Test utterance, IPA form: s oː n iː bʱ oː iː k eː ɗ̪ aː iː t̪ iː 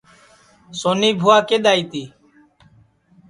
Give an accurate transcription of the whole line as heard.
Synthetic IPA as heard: s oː n iː bʱ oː aː k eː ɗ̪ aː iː t̪ iː